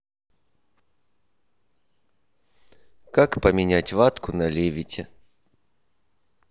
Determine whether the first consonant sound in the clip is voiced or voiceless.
voiceless